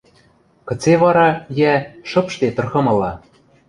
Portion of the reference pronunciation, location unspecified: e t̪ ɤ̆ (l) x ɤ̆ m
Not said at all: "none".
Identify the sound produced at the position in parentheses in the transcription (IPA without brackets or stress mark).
r